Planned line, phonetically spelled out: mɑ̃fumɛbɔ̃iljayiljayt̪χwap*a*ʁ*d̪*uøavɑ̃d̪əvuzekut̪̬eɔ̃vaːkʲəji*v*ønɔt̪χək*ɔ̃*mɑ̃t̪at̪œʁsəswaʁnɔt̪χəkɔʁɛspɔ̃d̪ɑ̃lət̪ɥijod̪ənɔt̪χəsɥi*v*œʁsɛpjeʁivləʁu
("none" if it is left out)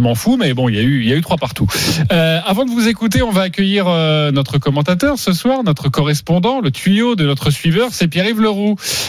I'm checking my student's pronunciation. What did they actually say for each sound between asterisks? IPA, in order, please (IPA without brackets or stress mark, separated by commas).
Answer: a, t̪, ʁ, ɔ, v